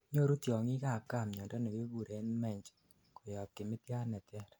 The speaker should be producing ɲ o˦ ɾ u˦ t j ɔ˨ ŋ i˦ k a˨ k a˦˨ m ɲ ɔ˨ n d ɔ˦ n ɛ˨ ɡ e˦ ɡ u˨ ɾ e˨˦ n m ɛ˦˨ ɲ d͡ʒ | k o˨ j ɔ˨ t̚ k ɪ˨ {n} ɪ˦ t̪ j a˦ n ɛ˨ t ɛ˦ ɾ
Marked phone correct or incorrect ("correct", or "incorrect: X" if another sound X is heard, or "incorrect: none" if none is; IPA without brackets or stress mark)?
incorrect: m